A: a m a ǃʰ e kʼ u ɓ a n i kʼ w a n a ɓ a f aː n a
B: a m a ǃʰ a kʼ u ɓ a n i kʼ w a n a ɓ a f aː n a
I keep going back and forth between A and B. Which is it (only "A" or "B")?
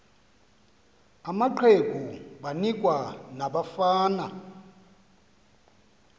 A